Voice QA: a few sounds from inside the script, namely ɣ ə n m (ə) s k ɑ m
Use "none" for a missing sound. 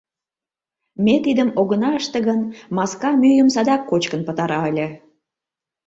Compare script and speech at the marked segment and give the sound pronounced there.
ɑ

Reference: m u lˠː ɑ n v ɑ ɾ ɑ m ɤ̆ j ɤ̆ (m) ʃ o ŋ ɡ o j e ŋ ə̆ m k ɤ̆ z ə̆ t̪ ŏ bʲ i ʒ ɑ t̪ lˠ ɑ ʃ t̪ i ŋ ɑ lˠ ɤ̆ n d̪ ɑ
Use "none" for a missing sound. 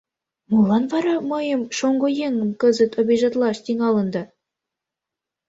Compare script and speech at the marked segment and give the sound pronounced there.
m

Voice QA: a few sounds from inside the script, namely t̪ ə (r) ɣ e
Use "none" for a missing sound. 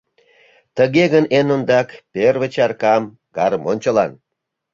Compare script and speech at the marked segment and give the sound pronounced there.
none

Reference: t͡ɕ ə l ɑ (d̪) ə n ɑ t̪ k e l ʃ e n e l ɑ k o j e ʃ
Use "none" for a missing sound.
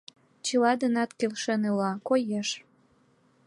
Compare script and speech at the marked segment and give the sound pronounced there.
d̪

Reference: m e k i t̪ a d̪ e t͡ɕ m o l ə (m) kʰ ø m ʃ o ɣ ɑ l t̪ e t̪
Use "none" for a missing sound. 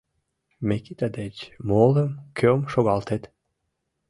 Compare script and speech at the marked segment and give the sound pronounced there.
m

